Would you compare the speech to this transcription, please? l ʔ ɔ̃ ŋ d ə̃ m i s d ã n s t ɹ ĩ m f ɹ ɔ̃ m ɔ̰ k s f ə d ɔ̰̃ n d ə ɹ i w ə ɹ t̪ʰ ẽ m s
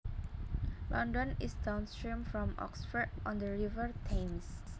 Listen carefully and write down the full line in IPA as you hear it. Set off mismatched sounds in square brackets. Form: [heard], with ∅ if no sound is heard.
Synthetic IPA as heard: l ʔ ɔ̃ [n] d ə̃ [n] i s d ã n s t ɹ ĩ m f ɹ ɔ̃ m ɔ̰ k s f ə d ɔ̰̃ n d ə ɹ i [v] ə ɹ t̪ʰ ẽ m s